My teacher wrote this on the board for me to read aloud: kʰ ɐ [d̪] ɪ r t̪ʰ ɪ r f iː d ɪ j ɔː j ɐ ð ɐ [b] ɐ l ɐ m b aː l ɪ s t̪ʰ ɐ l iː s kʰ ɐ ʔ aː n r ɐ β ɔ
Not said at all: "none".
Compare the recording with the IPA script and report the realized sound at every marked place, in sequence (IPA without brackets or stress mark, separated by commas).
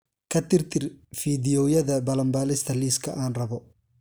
t̪, b